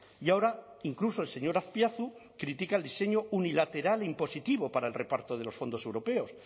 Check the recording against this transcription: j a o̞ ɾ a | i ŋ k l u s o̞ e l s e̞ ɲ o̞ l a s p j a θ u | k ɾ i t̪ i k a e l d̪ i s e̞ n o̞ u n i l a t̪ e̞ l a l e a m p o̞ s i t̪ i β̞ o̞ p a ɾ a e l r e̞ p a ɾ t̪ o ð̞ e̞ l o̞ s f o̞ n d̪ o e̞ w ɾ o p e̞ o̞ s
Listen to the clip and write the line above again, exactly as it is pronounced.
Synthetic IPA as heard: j a o̞ ɾ a | i ŋ k l u s o̞ e l s e̞ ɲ o̞ ɾ a θ p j a θ u | k ɾ i t̪ i k a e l d̪ i s e̞ ɲ o̞ u n i l a t̪ e̞ ɾ a l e i m p o̞ s i t̪ i β̞ o̞ p a ɾ a e l r e̞ p a ɾ t̪ o ð̞ e̞ l o̞ s f o̞ n d̪ o e̞ w ɾ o p e̞ o̞ s

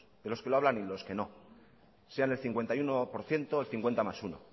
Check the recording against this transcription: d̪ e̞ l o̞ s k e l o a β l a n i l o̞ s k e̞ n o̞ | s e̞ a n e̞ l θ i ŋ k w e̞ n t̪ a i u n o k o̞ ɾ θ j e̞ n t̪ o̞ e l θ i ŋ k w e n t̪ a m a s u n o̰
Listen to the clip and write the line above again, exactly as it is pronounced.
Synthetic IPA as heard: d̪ e̞ l o̞ s k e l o a β l a n i l o̞ s k e̞ n o̞ | s e̞ a n e̞ l θ i ŋ k w e̞ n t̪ a j u n o p o̞ ɾ θ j e̞ n t̪ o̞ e l θ i ŋ k w e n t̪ a m a s u n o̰

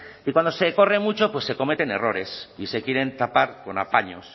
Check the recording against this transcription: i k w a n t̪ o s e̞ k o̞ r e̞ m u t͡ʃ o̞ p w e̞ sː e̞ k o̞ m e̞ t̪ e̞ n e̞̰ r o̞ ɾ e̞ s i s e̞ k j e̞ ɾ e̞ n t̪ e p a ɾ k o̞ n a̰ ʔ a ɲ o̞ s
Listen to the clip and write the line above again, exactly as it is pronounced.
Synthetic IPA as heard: i k w a n d̪ o s e̞ k o̞ r e̞ m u t͡ʃ o̞ p w e̞ sː e̞ k o̞ m e̞ t̪ e̞ n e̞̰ r o̞ ɾ e̞ s i s e̞ k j e̞ ɾ e̞ n t̪ a p a ɾ k o̞ n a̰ p a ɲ o̞ s

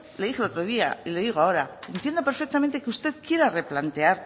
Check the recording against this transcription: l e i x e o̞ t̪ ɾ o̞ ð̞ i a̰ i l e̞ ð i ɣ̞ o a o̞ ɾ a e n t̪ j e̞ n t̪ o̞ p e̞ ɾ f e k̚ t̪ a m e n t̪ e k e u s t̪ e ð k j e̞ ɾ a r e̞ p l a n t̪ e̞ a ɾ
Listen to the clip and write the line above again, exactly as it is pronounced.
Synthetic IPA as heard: l e i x e o̞ t̪ ɾ o̞ ð̞ i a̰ i l e̞ ð i ɣ̞ o a o̞ ɾ a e n t̪ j e̞ n d̪ o̞ p e̞ ɾ f e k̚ t̪ a m e n t̪ e k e u s t̪ e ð k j e̞ ɾ a r e̞ p l a n t̪ e̞ a ɾ

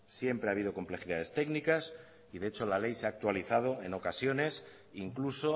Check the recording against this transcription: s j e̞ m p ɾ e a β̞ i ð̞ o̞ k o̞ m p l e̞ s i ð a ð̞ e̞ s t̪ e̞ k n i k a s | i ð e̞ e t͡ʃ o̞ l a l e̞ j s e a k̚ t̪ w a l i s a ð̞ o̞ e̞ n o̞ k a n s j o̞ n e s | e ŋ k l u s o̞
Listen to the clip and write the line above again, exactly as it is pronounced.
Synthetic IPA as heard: s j e̞ m p ɾ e a β̞ i ð̞ o̞ k o̞ m p l e̞ x i ð a ð̞ e̞ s t̪ e̞ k n i k a s | i ð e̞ e t͡ʃ o̞ l a l e̞ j s e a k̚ t̪ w a l i θ a ð̞ o̞ e̞ n o̞ k a s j o̞ n e s | i ŋ k l u s o̞

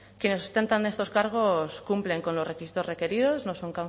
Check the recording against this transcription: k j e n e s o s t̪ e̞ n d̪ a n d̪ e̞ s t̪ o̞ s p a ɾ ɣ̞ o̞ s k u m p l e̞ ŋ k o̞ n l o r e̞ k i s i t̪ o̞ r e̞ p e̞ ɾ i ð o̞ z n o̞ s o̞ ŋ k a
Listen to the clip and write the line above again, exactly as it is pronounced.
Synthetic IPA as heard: k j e n e s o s t̪ e̞ n t̪ a n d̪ e̞ s t̪ o̞ s k a ɾ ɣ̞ o̞ s k u m p l e̞ ŋ k o̞ n l o r e̞ k i s i t̪ o̞ r e̞ k e̞ ɾ i ð o̞ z n o̞ s o̞ ŋ k a

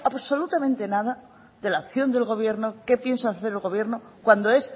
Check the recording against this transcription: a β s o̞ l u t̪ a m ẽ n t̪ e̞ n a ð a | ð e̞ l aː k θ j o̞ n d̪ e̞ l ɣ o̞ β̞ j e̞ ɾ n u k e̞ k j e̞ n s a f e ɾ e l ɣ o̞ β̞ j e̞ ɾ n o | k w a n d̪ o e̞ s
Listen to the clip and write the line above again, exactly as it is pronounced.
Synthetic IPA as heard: a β s o̞ l u t̪ a m ẽ n t̪ e̞ n a ð a | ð e̞ l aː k θ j o̞ n d̪ e̞ l ɣ o̞ β̞ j e̞ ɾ n o k e̞ p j e̞ n s a θ e ɾ e l ɣ o̞ β̞ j e̞ ɾ n o | k w a n d̪ o e̞ s

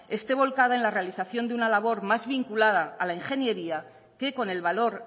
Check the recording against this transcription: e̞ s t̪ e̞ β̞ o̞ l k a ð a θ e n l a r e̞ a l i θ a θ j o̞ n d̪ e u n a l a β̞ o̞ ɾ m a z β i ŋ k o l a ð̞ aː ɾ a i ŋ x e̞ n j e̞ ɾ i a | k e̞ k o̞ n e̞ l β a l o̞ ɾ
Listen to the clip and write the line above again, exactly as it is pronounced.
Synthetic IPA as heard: e̞ s t̪ e̞ β̞ o̞ l k a ð a e n l a r e̞ a l i θ a θ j o̞ n d̪ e u n a l a β̞ o̞ ɾ m a z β i ŋ k u l a ð̞ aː l a i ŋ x e̞ n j e̞ ɾ i a | k e̞ k o̞ n e̞ l β a l o̞ ɾ

